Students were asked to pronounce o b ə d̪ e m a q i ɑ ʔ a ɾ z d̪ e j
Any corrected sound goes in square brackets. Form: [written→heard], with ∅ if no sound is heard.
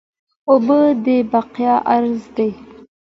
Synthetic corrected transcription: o b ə d̪ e [m→b] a q [i→j] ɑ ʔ a ɾ z d̪ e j